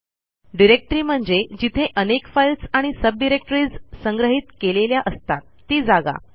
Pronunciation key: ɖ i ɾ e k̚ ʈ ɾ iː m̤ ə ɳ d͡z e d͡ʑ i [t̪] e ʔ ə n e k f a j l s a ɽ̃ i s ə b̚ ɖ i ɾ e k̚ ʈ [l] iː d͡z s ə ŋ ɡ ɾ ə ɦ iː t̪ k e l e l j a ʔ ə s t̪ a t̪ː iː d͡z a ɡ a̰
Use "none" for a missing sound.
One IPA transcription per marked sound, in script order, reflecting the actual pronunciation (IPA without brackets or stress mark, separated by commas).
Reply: t̪ʰ, ɾ